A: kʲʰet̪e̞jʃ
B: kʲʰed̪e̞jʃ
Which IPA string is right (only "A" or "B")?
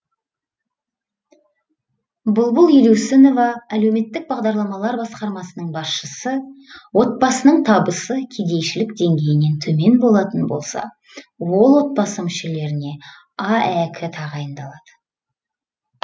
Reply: B